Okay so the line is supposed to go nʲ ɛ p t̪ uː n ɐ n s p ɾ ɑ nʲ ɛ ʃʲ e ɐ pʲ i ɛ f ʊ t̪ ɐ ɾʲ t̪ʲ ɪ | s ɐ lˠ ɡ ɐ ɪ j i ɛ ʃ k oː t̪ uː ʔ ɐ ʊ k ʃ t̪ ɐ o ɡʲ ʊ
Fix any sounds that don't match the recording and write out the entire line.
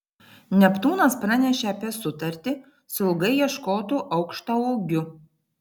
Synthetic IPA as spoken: nʲ ɛ p t̪ uː n ɐ s p ɾ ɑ nʲ ɛ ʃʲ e ɐ pʲ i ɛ s ʊ t̪ ɐ ɾʲ t̪ʲ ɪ | s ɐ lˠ ɡ ɐ ɪ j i ɛ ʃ k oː t̪ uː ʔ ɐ ʊ k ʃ t̪ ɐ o ɡʲ ʊ

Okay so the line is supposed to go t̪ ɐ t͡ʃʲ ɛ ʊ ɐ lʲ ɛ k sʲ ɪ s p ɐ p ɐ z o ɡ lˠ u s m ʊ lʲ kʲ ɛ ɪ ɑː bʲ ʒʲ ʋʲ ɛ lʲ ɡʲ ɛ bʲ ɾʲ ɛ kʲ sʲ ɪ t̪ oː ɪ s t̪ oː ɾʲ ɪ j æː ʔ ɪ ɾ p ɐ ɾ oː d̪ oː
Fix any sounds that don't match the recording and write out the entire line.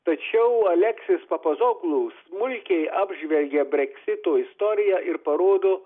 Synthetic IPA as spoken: t̪ ɐ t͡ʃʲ ɛ ʊ ɐ lʲ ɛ k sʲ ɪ s p ɐ p ɐ z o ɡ lˠ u s m ʊ lʲ kʲ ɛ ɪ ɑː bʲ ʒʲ ʋʲ ɛ lʲ ɡʲ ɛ bʲ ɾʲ ɛ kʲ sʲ ɪ t̪ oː ɪ s t̪ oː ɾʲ ɪ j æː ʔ ɪ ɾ p ɐ ɾ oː d̪ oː

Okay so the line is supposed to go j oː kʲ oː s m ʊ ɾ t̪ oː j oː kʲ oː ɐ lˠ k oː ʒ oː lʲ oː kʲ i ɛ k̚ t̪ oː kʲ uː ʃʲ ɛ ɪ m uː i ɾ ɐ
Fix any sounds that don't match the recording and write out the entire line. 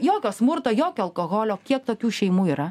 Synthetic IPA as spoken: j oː kʲ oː s m ʊ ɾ t̪ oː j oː kʲ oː ɐ lˠ k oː ɣ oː lʲ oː kʲ i ɛ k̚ t̪ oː kʲ uː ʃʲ ɛ ɪ m uː i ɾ ɐ

